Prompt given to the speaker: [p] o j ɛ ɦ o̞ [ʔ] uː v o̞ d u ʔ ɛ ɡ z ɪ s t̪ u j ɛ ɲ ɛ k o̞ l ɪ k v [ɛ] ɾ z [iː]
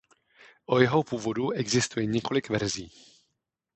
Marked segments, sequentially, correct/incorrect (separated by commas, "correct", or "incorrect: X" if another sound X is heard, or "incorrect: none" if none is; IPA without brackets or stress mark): incorrect: ʔ, incorrect: p, correct, correct